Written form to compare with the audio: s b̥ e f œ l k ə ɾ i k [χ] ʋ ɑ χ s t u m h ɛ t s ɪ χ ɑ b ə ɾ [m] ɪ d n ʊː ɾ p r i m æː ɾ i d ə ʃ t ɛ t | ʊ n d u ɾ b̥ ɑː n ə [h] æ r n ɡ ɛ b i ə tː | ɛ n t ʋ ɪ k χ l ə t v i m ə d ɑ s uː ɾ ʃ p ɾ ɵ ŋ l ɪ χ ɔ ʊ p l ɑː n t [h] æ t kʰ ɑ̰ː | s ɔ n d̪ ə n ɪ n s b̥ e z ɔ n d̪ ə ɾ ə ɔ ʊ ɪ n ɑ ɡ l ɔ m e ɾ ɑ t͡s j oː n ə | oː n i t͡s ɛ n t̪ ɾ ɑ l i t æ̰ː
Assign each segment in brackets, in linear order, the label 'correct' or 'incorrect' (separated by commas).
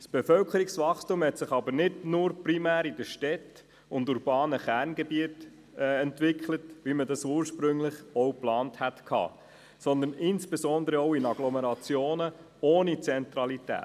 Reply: incorrect, incorrect, incorrect, correct